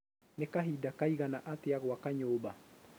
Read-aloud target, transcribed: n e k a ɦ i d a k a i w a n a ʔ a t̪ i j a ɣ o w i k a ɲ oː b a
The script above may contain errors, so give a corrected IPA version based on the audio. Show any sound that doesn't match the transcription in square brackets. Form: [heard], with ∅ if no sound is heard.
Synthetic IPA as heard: n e k a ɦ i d a k a i [ɣ] a n a ʔ a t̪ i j a ɣ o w [a] k a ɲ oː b a